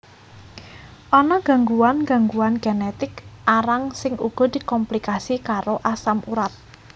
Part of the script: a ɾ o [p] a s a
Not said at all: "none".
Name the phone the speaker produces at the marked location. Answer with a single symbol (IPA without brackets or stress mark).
ʔ